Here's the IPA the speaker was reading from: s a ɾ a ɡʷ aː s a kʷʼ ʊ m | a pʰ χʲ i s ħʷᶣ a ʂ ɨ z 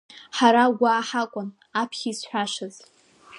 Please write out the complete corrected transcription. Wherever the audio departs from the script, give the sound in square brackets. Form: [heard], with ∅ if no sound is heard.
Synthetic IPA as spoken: [ħ] a ɾ a ɡʷ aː [ħ] a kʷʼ ʊ [n] | a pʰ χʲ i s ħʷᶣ a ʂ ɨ z